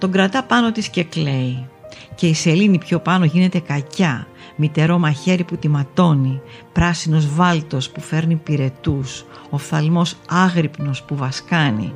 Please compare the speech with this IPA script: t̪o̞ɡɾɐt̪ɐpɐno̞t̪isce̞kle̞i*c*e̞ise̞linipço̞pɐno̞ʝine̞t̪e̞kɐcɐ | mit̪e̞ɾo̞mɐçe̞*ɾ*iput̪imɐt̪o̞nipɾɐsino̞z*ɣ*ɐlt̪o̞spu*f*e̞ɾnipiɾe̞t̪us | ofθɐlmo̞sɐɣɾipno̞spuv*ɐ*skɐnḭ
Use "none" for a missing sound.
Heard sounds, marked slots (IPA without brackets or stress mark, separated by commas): c, ɾ, v, f, ɐ